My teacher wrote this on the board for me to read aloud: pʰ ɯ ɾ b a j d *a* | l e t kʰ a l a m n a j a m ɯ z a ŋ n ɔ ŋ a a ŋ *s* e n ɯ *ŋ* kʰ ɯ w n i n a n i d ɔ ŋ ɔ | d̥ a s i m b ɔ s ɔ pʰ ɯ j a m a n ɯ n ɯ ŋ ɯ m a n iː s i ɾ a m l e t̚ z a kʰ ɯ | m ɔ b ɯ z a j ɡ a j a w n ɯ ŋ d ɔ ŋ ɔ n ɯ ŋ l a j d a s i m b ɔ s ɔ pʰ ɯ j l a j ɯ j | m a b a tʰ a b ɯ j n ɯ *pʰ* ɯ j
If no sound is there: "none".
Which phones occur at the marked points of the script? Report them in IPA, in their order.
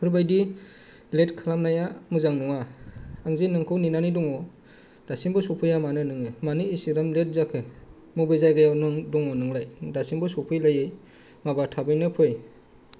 i, z, ŋ, pʰ

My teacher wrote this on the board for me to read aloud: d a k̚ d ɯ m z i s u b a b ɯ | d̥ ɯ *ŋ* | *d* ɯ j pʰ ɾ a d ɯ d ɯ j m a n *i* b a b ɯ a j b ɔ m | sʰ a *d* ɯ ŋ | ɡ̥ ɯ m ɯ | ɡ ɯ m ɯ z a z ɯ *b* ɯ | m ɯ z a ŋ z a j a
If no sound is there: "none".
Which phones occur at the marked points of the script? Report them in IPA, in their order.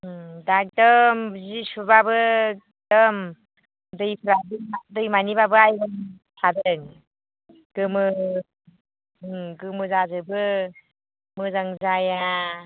m, d, i, d, b

